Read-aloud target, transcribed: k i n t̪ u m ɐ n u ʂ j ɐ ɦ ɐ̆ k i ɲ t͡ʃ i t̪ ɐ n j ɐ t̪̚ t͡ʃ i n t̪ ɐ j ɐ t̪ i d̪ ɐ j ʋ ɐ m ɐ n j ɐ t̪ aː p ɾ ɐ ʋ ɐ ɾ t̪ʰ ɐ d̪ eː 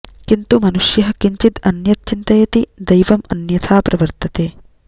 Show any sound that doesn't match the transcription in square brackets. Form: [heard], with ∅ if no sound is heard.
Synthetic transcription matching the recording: k i n t̪ u m ɐ n u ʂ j ɐ ɦ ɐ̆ k i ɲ t͡ʃ i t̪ ɐ n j ɐ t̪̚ t͡ʃ i n t̪ ɐ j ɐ t̪ i d̪ ɐ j ʋ ɐ m ɐ n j ɐ [t̪ʰ] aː p ɾ ɐ ʋ ɐ ɾ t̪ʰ ɐ [t̪] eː